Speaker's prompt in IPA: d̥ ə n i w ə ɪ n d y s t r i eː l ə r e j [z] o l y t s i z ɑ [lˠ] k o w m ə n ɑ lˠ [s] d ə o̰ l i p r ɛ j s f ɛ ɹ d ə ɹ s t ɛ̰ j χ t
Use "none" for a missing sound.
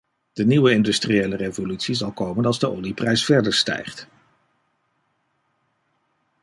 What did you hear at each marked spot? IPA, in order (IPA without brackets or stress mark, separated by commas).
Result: v, lˠ, z